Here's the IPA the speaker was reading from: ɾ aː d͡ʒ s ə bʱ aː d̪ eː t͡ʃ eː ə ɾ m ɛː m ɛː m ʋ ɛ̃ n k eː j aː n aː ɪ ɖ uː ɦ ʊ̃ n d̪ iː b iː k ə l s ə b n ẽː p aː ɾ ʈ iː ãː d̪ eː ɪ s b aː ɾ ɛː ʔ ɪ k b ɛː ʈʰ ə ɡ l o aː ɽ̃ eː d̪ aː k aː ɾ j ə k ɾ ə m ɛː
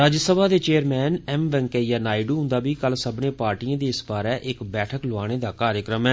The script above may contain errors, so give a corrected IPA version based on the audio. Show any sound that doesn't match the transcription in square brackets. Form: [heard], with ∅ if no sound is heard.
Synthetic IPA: ɾ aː d͡ʒ s ə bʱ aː d̪ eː t͡ʃ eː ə ɾ m ɛː [n] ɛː m ʋ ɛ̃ [ŋ] k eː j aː n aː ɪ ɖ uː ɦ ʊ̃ n d̪ [aː] b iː k ə l s ə b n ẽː p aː ɾ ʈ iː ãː d̪ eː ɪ s b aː ɾ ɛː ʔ ɪ k b ɛː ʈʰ ə [k] l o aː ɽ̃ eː d̪ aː k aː ɾ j ə k ɾ ə m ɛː

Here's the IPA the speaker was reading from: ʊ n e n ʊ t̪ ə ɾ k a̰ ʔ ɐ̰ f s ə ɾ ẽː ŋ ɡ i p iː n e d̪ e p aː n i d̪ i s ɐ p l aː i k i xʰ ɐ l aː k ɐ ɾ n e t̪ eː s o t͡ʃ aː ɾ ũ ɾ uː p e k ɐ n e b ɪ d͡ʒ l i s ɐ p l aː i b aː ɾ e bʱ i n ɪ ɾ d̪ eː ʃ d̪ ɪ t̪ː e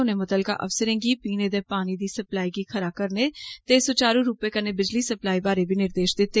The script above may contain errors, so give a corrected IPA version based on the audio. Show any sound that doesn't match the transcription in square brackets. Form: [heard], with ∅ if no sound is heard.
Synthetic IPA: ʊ n e [m] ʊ t̪ ə [l] k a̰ ʔ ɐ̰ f s ə ɾ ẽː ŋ ɡ i p iː n e d̪ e p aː n i d̪ i s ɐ p l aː i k i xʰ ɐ [ɾ] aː k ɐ ɾ n e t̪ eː s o t͡ʃ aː ɾ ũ ɾ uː p e k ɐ n e b ɪ d͡ʒ l i s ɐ p l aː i b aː ɾ e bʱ i n ɪ ɾ d̪ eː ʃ d̪ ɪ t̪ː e

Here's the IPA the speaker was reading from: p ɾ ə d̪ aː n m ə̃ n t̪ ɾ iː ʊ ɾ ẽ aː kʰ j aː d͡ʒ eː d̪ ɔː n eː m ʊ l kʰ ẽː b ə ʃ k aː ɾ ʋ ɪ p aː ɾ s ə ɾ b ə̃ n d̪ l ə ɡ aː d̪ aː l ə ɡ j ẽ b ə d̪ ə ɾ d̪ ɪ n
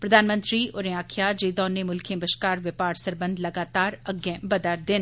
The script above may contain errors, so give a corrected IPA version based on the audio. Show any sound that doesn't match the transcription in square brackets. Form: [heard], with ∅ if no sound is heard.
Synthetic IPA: p ɾ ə d̪ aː n m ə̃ n t̪ ɾ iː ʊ ɾ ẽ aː kʰ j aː d͡ʒ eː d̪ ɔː n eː m ʊ l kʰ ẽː b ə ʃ k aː ɾ ʋ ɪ p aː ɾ s ə ɾ b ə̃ n d̪ l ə ɡ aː [t̪] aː [ɾ] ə ɡ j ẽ b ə d̪ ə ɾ d̪ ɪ n

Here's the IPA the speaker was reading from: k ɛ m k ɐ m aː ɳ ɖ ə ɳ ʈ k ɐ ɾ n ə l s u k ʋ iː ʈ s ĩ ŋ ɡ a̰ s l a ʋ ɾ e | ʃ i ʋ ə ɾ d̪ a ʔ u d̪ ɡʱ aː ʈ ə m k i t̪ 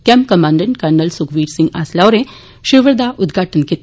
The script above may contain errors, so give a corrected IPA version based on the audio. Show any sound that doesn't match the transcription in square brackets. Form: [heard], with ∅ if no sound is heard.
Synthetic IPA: k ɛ m k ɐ m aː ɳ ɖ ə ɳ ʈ k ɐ ɾ n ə l s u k ʋ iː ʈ s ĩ ŋ ɡ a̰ s l a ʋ ɾ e | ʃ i ʋ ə ɾ d̪ a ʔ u d̪ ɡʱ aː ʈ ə [n] k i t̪

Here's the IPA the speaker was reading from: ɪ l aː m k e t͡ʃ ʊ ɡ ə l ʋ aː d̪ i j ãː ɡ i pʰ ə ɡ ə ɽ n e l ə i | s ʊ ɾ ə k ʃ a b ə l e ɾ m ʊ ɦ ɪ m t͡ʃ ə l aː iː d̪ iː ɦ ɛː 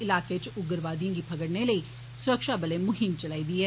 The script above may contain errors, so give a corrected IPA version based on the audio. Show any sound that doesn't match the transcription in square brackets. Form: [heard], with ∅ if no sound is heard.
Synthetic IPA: ɪ l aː [∅] k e t͡ʃ ʊ ɡ ə [ɾ] ʋ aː d̪ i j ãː ɡ i pʰ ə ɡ ə ɽ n e l ə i | s ʊ ɾ ə k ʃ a b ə l e [∅] m ʊ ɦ ɪ m t͡ʃ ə l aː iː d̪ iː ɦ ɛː

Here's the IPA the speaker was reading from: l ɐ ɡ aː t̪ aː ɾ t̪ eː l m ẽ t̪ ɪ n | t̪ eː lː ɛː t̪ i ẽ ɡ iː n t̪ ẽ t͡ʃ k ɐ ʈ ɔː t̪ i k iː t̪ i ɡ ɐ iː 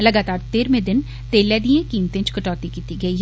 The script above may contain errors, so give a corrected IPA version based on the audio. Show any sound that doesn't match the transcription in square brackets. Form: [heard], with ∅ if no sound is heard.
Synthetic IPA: l ɐ ɡ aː t̪ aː ɾ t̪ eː [ɾ] m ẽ [d̪] ɪ n | t̪ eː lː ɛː [d̪] i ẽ [k] iː [m] t̪ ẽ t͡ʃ k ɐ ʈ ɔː t̪ i k iː t̪ i ɡ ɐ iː

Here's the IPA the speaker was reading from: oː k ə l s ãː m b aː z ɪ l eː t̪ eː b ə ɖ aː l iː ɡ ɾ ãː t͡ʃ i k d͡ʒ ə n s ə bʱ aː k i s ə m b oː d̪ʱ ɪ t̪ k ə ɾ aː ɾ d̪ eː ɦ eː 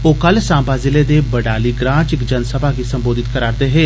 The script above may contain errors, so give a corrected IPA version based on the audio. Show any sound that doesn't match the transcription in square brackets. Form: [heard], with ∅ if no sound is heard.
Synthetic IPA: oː k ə l s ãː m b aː z ɪ l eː [d̪] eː b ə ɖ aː l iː ɡ ɾ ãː t͡ʃ [ɪ] k d͡ʒ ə n s ə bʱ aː k i s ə m b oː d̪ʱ ɪ t̪ k ə ɾ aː ɾ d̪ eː ɦ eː

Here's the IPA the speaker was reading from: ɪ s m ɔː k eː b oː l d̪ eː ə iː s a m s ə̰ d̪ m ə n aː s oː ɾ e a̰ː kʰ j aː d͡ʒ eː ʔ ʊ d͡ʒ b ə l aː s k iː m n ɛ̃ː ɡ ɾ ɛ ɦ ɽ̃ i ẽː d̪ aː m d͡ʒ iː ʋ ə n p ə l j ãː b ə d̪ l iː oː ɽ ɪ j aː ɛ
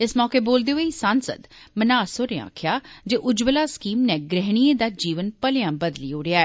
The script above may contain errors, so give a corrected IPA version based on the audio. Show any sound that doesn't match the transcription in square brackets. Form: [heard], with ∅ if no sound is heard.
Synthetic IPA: ɪ s m ɔː k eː b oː l d̪ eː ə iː s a [n] s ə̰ d̪ m ə n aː s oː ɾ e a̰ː kʰ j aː d͡ʒ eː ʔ ʊ d͡ʒ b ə l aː s k iː m n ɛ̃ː ɡ ɾ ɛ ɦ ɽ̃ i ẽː d̪ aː [∅] d͡ʒ iː ʋ ə n p ə l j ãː b ə d̪ l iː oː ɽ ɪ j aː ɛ

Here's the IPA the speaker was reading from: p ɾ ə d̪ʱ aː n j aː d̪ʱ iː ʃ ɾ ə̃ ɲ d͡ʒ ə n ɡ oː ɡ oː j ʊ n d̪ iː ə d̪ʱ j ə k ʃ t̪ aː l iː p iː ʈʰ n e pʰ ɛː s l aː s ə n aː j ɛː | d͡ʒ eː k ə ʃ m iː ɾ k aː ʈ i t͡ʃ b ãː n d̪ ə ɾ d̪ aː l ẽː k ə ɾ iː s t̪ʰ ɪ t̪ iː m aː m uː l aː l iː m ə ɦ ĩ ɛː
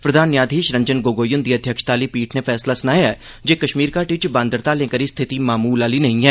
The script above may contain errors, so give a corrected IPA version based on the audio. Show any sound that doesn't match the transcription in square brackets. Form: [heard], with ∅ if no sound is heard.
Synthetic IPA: p ɾ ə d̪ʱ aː n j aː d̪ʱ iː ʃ ɾ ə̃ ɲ d͡ʒ ə n ɡ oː ɡ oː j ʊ n d̪ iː ə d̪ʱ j ə k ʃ t̪ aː l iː p iː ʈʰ n e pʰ ɛː s l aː s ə n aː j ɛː | d͡ʒ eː k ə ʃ m iː ɾ k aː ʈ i t͡ʃ b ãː n d̪ ə ɾ [t̪] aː l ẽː k ə ɾ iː s t̪ʰ ɪ t̪ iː m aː m uː l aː l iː [n] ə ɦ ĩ ɛː

